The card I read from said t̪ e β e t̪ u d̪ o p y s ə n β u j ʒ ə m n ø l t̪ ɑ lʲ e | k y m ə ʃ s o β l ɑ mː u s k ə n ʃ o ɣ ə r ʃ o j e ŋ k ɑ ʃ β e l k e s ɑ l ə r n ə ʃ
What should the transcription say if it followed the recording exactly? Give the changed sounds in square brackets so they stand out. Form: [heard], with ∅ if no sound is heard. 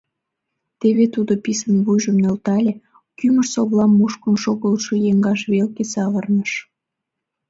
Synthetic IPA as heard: t̪ e β e t̪ u d̪ o p [i] s ə n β u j ʒ ə m n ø l t̪ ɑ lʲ e | k y m ə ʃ s o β l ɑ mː u [ʃ] k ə n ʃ o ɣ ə [l] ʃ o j e ŋ [ɡ] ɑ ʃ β e l k e s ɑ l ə r n ə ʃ